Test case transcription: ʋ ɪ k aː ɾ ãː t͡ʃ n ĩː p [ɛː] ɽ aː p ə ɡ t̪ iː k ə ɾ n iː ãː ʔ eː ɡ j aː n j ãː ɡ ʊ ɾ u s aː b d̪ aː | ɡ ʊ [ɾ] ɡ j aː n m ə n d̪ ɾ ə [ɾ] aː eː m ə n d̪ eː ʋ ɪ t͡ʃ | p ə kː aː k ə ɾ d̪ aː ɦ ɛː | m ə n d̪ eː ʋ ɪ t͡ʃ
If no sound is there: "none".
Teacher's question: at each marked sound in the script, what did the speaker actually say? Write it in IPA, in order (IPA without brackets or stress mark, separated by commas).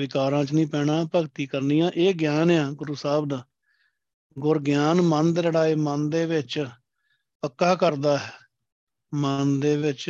ɛː, ɾ, ɽ